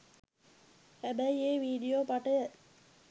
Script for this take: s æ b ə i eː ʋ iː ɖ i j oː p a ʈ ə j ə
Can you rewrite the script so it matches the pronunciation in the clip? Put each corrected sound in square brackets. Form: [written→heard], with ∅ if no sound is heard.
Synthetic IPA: [s→h] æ b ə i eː ʋ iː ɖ i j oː p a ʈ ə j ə